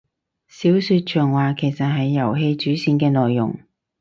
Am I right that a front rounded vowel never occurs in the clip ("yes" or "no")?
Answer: no